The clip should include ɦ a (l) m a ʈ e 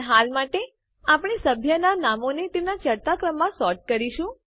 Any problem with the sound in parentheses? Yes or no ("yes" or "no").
no